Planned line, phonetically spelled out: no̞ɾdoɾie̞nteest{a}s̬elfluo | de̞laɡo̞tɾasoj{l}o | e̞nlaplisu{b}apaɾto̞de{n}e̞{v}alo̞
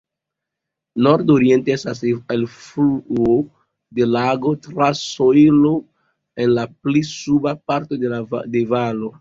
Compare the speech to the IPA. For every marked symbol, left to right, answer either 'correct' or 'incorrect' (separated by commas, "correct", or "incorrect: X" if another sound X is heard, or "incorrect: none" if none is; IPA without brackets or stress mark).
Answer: correct, correct, correct, incorrect: d, correct